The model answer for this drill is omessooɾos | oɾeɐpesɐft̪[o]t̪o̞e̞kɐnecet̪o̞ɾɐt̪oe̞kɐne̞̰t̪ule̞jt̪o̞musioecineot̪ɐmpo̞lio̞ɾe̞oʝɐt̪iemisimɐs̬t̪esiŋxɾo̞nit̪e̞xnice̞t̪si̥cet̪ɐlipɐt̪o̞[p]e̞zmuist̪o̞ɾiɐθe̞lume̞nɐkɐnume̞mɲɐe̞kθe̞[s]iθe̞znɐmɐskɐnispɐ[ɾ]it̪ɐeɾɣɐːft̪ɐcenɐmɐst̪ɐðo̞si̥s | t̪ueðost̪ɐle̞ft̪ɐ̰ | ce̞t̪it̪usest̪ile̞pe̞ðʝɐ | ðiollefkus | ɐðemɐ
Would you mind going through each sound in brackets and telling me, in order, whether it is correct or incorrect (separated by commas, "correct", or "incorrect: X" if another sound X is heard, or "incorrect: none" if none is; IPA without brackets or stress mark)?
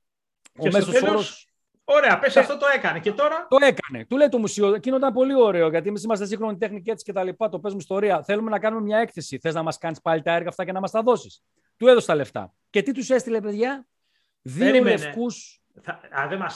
correct, correct, correct, incorrect: l